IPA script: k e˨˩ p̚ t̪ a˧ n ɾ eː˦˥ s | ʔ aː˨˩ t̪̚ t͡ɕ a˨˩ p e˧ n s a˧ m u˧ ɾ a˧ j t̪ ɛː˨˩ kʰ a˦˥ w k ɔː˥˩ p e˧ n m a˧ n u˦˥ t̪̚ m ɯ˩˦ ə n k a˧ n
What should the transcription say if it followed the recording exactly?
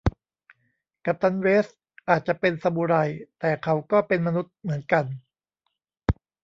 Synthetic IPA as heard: k a˨˩ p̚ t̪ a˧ n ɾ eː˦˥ s | ʔ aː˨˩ t̪̚ t͡ɕ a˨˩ p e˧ n s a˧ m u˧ ɾ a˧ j t̪ ɛː˨˩ kʰ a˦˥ w k ɔː˥˩ p e˧ n m a˧ n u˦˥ t̪̚ m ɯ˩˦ ə n k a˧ n